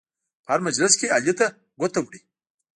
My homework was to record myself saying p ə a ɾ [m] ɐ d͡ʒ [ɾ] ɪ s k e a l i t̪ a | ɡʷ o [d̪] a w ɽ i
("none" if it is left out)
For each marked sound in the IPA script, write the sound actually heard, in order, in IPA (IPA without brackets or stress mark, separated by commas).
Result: m, l, t̪